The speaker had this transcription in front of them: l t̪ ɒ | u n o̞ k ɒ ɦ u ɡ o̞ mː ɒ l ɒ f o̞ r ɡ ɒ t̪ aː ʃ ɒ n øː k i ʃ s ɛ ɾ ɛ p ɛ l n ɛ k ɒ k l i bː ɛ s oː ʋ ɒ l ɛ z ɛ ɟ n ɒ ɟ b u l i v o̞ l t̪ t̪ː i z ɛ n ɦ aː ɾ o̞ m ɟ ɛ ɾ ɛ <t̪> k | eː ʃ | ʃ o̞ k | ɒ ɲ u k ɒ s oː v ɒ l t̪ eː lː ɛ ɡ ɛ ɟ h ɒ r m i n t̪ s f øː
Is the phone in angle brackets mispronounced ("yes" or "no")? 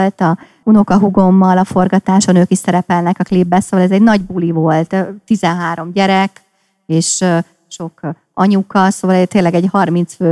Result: yes